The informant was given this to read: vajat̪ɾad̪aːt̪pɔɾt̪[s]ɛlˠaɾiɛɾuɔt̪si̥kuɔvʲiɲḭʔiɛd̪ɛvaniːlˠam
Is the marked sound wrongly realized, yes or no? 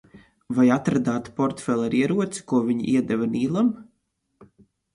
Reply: yes